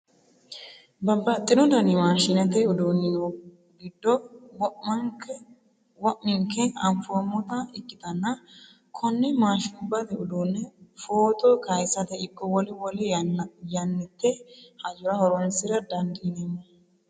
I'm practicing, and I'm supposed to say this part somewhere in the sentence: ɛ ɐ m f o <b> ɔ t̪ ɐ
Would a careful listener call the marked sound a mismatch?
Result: yes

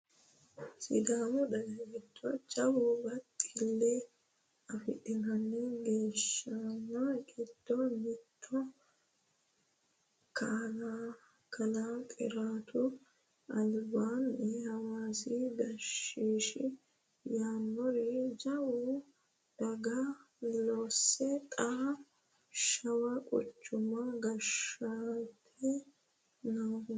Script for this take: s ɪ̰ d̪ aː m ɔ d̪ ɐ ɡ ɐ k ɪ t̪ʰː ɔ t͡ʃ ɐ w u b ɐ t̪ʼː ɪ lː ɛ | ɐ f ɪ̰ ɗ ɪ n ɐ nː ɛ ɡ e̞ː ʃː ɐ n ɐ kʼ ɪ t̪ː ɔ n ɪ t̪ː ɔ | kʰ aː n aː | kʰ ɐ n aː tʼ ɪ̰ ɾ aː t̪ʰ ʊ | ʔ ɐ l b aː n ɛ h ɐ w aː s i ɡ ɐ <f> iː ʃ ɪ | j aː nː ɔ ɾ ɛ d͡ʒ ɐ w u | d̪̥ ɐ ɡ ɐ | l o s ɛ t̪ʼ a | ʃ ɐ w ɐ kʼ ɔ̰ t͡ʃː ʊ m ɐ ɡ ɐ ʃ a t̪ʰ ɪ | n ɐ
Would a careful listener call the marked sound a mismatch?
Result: yes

